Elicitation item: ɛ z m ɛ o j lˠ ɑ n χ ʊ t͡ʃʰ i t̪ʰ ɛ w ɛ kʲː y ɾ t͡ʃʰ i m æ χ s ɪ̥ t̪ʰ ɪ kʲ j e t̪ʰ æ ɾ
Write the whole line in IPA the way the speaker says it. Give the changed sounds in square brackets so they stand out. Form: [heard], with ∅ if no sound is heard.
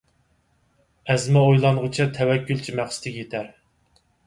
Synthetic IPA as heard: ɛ z m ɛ o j lˠ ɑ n [ʁ] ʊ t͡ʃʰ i t̪ʰ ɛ w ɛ kʲː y [l] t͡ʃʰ i m æ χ s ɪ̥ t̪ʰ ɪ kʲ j e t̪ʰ æ ɾ